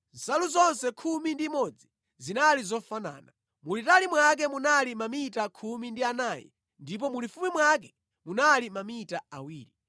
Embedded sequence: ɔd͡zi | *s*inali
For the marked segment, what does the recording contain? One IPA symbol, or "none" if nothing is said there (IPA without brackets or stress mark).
z